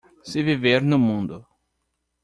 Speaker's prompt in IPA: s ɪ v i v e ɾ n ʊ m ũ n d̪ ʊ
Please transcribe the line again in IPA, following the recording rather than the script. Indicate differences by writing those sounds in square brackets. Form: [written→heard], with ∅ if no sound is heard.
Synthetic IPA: s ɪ v i v e ɾ n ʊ m ũ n d̪ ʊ